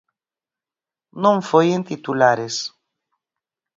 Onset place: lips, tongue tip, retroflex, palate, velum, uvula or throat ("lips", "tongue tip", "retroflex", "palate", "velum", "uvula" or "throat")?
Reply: tongue tip